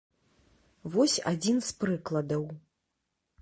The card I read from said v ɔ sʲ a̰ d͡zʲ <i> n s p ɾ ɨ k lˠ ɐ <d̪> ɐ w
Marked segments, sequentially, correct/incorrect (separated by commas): correct, correct